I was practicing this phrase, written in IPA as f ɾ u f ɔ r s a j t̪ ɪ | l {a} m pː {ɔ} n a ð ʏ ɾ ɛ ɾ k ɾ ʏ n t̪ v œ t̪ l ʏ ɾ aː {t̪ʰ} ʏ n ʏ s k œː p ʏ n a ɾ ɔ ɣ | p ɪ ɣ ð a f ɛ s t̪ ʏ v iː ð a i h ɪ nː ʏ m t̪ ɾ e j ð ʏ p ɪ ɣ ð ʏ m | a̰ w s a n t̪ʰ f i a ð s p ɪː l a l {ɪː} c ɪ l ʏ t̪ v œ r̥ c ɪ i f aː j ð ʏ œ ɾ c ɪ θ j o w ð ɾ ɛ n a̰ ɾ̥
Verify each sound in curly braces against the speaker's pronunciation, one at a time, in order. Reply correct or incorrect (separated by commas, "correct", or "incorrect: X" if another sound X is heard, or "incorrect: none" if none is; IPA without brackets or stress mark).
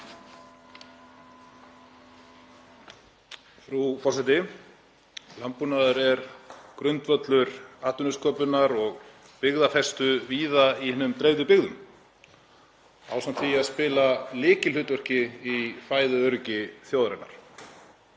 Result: correct, incorrect: u, incorrect: t̪, correct